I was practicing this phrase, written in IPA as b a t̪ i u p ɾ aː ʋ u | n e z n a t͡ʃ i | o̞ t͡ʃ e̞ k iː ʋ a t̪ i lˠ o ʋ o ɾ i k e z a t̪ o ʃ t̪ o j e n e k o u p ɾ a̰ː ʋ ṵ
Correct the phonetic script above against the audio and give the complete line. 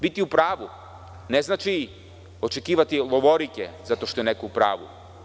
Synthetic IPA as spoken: b i t̪ i u p ɾ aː ʋ u | n e z n a t͡ʃ i | o̞ t͡ʃ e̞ k iː ʋ a t̪ i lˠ o ʋ o ɾ i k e z a t̪ o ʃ t̪ o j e n e k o u p ɾ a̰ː ʋ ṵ